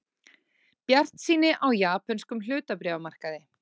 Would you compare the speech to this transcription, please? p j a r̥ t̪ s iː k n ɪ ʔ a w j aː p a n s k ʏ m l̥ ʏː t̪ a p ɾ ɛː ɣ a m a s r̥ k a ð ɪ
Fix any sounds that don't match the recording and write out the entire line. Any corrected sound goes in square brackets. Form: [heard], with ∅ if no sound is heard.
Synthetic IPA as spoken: p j a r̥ t̪ s iː [∅] n ɪ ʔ a w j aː p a n s k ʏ m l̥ ʏː t̪ a p ɾ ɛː [v] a m a [∅] r̥ k a ð ɪ